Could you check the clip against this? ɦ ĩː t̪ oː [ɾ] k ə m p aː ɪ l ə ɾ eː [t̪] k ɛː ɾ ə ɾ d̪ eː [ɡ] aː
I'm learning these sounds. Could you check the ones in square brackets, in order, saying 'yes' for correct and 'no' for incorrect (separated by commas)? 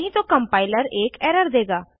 no, no, yes